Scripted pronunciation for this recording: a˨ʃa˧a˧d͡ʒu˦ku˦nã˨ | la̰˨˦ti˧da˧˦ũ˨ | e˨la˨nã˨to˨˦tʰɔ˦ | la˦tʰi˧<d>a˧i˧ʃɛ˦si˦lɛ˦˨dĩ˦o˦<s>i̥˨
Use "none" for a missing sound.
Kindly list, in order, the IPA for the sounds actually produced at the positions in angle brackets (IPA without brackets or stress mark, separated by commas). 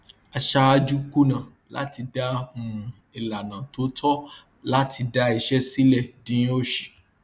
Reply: d, ʃ